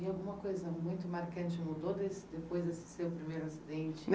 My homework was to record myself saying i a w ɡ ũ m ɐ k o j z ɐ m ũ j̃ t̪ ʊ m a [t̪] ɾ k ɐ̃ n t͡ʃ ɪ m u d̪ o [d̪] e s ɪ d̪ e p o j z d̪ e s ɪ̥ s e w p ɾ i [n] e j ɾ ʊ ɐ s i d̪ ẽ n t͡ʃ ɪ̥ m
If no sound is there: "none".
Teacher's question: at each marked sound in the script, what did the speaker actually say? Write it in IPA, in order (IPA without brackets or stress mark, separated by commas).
none, d̪, m